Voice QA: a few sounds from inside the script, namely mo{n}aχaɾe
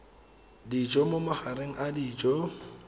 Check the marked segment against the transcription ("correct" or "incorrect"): incorrect